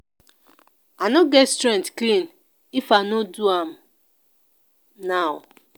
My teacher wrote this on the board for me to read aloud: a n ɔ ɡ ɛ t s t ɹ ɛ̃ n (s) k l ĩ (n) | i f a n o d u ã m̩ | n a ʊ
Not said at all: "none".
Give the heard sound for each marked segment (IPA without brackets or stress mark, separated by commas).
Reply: t, n